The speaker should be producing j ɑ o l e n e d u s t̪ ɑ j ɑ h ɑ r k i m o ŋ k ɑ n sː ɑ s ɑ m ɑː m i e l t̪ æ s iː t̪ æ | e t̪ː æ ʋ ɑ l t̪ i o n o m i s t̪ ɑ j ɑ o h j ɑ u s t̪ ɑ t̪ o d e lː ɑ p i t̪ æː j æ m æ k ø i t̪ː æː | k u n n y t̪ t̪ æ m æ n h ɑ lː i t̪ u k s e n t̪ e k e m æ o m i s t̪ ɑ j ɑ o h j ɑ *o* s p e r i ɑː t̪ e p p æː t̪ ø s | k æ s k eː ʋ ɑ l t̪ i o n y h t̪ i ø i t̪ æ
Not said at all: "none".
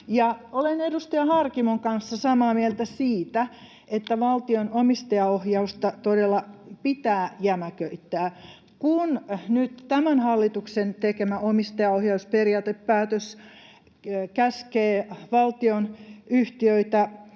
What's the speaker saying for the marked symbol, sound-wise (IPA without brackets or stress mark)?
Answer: u